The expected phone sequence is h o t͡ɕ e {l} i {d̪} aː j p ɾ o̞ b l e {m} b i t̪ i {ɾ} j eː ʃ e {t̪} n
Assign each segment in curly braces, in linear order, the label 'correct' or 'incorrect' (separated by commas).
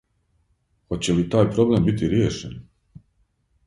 correct, incorrect, correct, correct, incorrect